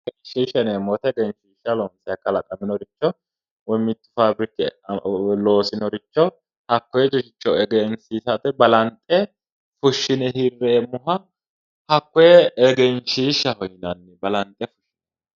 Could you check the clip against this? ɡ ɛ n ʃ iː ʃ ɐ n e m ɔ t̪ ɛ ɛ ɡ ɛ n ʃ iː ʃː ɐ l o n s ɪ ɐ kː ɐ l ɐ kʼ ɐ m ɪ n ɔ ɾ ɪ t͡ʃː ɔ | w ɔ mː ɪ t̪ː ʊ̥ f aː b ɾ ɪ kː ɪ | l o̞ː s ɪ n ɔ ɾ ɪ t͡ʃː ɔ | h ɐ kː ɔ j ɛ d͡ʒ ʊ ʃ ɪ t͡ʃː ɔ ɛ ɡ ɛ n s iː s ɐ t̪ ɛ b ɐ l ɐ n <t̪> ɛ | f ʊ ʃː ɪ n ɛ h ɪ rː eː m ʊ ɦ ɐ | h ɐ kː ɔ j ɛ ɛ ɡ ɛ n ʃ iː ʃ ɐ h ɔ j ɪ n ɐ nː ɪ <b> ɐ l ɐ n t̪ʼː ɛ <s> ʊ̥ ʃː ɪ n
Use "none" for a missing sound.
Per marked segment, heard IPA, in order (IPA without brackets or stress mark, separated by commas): t̪ʼ, b, f